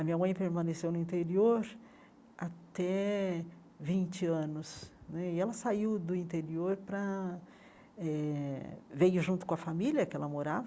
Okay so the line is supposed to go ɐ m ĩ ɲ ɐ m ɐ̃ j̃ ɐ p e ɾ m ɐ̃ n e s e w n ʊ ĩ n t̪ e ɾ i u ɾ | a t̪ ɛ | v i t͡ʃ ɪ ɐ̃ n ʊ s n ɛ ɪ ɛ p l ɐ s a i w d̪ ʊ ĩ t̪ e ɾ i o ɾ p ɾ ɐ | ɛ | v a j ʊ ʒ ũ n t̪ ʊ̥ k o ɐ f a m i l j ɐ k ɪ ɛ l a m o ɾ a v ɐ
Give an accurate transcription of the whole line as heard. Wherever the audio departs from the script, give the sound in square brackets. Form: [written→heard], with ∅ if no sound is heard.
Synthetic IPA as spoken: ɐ m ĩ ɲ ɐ m ɐ̃ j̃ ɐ p e ɾ m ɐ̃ n e s e w n ʊ ĩ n t̪ e ɾ i [u→o] ɾ | a t̪ ɛ | v [i→ĩ] t͡ʃ ɪ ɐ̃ n ʊ s n ɛ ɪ ɛ [p→∅] l ɐ s a i w d̪ ʊ ĩ t̪ e ɾ i o ɾ p ɾ ɐ | ɛ | v [a→e] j ʊ ʒ ũ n t̪ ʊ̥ k [o→õ] ɐ f a m i l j ɐ k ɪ ɛ l [a→ɐ] m o ɾ a v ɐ